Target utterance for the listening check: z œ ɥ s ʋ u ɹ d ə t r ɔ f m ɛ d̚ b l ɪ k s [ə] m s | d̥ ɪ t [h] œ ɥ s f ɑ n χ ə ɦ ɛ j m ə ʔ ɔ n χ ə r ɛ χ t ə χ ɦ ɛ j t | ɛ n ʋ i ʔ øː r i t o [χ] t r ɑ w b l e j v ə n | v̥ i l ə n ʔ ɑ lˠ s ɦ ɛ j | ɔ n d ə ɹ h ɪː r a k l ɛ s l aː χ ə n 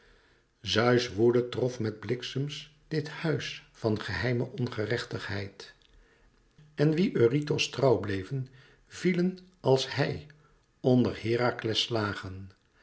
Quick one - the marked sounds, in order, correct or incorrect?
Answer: correct, correct, incorrect: s

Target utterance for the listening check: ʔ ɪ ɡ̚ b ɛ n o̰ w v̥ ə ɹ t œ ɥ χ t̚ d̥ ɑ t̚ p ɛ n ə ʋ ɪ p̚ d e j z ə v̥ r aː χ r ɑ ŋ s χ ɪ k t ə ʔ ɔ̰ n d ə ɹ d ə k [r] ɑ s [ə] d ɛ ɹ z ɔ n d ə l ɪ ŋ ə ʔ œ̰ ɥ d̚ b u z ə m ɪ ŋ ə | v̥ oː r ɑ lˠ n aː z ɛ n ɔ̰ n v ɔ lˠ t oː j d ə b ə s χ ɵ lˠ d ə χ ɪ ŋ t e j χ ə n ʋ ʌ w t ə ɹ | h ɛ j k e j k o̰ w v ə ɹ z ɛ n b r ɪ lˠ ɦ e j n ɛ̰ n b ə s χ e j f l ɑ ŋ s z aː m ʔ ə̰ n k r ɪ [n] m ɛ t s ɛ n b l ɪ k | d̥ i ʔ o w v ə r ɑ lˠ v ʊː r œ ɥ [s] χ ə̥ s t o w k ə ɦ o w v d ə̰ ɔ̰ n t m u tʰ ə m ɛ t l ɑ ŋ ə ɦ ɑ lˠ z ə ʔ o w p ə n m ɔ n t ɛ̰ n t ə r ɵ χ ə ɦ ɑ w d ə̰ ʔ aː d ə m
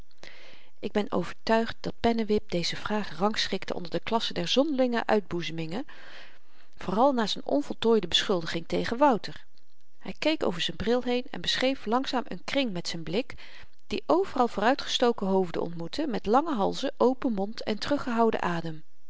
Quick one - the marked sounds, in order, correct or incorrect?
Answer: incorrect: l, correct, incorrect: ŋ, incorrect: t

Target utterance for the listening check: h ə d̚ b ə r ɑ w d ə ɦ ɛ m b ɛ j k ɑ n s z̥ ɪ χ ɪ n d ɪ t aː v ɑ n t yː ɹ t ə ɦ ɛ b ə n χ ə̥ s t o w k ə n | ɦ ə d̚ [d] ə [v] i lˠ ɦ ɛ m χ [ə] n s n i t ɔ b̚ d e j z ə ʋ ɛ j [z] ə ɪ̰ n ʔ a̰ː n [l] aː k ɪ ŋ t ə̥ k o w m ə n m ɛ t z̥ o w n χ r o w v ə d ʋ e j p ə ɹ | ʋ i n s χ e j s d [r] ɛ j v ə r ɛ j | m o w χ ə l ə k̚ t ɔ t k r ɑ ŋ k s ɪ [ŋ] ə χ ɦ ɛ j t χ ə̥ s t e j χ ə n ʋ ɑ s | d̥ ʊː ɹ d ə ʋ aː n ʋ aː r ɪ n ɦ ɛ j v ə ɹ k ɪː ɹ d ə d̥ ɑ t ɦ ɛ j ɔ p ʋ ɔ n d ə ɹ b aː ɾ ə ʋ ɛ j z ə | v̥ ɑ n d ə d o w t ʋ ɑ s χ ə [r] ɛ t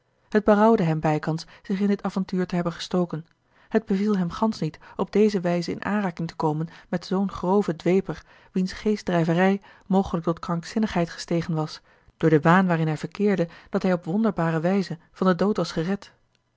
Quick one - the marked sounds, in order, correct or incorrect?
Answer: incorrect: b, correct, incorrect: ɑ, correct, incorrect: r, correct, incorrect: n, correct

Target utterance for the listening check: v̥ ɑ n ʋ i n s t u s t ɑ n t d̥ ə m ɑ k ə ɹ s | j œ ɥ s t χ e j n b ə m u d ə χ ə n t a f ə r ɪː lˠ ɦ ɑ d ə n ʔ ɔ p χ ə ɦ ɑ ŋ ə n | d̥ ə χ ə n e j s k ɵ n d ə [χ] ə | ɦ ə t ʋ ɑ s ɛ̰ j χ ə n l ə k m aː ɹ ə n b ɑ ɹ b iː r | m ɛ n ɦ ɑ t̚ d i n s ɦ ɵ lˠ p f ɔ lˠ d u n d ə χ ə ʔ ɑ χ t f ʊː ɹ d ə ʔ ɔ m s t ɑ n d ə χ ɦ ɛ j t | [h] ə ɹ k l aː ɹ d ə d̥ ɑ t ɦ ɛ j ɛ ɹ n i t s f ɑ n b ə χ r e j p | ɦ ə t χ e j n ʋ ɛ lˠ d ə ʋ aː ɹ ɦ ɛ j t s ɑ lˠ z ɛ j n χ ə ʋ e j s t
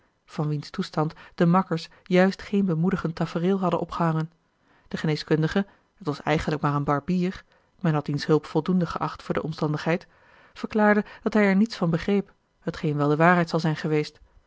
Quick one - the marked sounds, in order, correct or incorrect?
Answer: correct, incorrect: f

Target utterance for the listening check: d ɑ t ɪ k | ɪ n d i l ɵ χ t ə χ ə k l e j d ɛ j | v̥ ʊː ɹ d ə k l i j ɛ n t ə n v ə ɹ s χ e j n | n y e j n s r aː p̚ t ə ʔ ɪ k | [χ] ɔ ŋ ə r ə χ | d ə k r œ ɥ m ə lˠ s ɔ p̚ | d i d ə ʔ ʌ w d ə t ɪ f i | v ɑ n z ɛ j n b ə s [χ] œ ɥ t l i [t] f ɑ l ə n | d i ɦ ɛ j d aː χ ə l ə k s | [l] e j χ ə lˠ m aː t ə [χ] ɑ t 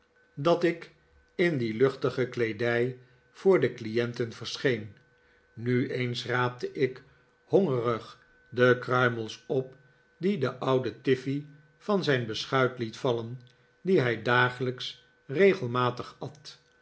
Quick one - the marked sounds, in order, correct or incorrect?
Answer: incorrect: h, correct, correct, incorrect: r, correct

